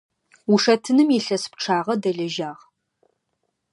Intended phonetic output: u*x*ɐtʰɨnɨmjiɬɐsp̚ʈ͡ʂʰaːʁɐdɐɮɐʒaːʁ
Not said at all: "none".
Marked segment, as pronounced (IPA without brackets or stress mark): ʂ